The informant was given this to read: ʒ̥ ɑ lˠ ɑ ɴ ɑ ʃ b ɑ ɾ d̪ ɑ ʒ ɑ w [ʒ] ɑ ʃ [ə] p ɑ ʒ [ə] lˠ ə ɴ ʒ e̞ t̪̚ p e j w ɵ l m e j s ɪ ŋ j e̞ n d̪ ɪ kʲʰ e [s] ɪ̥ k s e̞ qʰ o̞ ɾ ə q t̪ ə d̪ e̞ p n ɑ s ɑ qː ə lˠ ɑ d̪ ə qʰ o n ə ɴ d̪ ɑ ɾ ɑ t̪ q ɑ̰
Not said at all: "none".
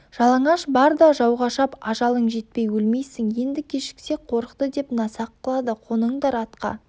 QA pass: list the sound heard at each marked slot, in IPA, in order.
ʁ, ɑ, ɑ, ʃ

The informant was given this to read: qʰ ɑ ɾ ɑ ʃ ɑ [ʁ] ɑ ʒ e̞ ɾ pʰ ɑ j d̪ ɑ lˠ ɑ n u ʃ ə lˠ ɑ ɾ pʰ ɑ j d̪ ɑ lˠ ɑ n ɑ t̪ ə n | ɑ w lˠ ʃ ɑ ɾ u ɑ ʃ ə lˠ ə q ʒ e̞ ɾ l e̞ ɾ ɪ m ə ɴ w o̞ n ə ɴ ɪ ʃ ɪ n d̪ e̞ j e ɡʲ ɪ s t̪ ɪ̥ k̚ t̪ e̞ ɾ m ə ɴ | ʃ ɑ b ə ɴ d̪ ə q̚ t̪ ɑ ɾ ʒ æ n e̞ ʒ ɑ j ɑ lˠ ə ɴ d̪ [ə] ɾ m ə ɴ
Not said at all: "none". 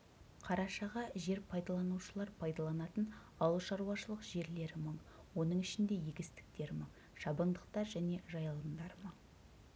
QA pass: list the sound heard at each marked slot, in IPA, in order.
ʁ, ɑ

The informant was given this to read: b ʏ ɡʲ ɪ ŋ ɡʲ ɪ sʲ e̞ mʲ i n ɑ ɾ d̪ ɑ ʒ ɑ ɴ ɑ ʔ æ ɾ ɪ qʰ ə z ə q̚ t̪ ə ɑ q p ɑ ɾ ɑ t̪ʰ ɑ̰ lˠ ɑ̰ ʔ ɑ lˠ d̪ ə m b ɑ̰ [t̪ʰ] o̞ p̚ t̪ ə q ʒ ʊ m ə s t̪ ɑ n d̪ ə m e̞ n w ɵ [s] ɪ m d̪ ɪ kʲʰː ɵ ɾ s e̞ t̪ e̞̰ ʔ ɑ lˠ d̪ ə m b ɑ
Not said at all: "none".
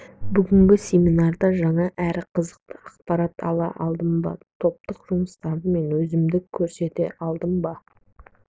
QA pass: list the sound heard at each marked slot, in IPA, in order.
t̪ʰ, z

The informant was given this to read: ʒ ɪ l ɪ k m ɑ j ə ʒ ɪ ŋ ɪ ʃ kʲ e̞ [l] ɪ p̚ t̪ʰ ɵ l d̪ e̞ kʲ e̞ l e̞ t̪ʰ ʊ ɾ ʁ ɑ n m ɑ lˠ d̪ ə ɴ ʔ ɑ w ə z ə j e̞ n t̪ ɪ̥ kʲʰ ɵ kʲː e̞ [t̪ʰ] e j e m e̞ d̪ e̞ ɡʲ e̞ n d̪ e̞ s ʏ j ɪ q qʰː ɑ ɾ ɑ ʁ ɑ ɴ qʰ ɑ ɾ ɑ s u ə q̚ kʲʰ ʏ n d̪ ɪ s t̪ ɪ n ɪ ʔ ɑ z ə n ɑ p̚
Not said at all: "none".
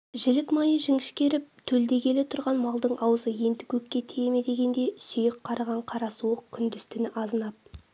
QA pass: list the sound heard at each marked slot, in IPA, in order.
ɾ, t̪ʰ

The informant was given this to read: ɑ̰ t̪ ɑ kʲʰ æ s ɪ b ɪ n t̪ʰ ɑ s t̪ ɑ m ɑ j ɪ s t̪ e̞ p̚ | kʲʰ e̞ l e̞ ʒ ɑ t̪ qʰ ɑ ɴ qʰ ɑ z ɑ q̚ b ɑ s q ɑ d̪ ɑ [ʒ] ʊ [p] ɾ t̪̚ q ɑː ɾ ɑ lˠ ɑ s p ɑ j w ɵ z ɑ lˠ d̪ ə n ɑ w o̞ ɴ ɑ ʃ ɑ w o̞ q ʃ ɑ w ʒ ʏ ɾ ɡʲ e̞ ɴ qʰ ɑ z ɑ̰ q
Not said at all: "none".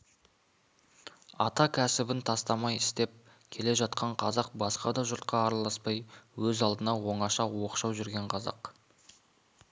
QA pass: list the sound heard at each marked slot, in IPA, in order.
ʒ, none

